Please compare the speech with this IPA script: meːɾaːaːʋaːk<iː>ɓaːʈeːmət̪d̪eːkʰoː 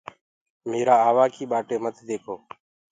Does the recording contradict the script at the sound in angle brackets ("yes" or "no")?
no